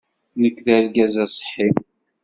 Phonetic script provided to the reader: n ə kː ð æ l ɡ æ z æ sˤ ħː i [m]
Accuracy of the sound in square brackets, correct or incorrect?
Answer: correct